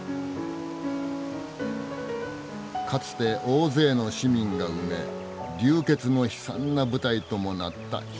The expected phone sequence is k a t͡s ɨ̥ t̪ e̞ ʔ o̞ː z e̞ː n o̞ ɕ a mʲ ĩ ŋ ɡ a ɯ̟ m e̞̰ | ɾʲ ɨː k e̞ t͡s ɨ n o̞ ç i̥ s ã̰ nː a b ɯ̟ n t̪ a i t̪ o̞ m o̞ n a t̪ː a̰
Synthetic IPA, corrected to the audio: k a t͡s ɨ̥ t̪ e̞ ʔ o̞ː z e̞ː n o̞ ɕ i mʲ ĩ ŋ ɡ a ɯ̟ m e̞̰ | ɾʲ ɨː k e̞ t͡s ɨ n o̞ ç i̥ s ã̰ nː a b ɯ̟ t̪ a i t̪ o̞ m o̞ n a t̪ː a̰